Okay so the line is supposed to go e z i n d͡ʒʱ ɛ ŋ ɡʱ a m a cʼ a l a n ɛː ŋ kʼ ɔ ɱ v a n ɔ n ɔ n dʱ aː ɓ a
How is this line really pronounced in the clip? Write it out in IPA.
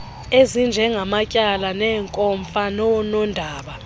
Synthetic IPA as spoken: e z i n d͡ʒʱ ɛ ŋ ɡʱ a m a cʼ a l a n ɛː ŋ kʼ ɔ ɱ f a n ɔ n ɔ n dʱ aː ɓ a